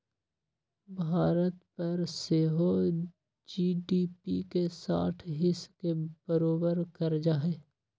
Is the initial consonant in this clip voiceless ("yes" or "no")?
no